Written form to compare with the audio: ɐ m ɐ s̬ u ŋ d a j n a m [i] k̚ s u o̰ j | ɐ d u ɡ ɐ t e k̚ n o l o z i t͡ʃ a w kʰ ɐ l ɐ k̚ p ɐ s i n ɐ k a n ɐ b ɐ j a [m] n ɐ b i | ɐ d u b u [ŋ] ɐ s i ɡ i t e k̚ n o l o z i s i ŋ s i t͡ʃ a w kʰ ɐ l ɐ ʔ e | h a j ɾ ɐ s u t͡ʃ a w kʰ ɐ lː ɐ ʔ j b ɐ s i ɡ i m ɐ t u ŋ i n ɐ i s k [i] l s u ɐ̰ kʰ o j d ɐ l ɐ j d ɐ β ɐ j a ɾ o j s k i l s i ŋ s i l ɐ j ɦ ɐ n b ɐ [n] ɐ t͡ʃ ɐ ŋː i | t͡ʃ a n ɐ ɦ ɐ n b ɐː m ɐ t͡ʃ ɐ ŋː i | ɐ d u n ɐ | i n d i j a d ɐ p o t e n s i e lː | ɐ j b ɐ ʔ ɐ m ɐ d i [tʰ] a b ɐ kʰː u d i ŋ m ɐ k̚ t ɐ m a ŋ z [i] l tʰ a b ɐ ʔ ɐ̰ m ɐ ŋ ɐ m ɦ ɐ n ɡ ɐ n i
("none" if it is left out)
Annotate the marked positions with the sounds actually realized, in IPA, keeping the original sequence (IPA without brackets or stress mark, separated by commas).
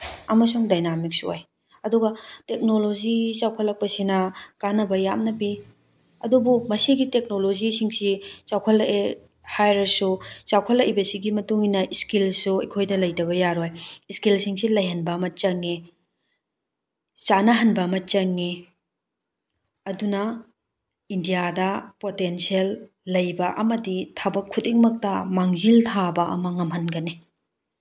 i, m, m, i, m, tʰ, i